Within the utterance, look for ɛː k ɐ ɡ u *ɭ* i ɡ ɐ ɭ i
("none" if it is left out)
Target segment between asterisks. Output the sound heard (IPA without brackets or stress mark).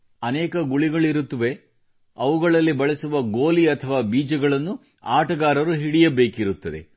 ɭ